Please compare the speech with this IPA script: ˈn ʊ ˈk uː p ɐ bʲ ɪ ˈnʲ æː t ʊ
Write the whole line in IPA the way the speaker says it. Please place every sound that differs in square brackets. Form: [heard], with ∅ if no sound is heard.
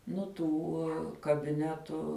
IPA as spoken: ˈn ʊ [ˈt] uː [k] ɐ bʲ ɪ ˈnʲ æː t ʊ